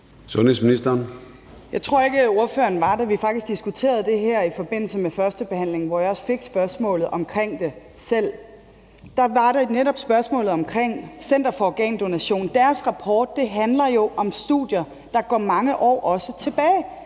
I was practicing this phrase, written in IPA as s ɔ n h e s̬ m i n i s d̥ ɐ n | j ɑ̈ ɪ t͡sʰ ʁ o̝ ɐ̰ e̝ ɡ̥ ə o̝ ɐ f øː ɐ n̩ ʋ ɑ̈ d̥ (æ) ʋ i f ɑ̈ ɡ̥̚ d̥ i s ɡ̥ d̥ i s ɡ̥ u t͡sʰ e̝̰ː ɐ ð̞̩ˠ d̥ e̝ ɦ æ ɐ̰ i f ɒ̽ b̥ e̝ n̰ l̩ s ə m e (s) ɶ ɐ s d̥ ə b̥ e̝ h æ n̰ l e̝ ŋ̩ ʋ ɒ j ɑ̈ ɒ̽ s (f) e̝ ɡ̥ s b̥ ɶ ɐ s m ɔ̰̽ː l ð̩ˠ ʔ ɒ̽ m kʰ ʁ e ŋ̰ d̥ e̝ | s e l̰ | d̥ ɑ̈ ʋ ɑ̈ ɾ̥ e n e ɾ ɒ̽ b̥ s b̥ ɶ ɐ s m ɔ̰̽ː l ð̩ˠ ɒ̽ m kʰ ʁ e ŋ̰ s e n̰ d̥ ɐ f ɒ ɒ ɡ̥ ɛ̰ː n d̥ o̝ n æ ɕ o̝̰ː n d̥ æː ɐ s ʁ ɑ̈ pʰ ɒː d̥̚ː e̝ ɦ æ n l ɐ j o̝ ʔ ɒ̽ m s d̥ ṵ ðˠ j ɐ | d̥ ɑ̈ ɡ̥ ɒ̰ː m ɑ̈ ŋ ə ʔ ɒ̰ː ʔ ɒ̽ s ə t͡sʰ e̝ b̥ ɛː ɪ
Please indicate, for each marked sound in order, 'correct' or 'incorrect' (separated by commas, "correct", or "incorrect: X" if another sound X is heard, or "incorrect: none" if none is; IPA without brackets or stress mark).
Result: correct, incorrect: f, correct